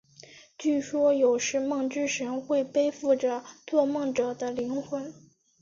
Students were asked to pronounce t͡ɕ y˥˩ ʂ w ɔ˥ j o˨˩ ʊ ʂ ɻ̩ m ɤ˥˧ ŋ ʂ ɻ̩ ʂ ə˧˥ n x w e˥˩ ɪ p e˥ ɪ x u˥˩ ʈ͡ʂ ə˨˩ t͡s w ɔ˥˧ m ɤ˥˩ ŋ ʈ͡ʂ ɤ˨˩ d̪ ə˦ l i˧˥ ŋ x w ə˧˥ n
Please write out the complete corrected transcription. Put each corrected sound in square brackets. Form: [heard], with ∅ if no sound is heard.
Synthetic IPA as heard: t͡ɕ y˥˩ ʂ w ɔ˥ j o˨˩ ʊ ʂ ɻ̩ m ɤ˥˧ ŋ [ʈ͡ʂ] ɻ̩ ʂ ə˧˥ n x w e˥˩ ɪ p e˥ ɪ [f] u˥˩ ʈ͡ʂ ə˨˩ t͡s w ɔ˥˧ m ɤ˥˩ ŋ ʈ͡ʂ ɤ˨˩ d̪ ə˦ l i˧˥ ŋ x w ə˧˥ n